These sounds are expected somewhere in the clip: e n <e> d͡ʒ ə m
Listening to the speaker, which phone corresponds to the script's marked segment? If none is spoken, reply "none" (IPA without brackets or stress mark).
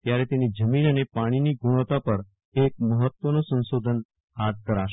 i